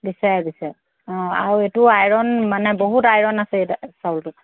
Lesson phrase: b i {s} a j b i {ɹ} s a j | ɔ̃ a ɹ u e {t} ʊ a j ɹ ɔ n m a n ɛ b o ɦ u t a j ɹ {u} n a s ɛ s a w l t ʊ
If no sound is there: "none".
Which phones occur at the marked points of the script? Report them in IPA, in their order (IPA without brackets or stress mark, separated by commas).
s, none, t, ɔ